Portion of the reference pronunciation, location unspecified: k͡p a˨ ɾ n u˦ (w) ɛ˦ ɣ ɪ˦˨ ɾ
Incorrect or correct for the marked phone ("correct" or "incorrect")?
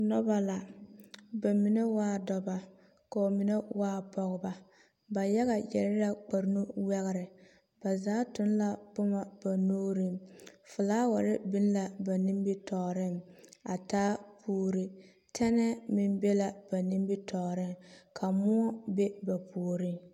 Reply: correct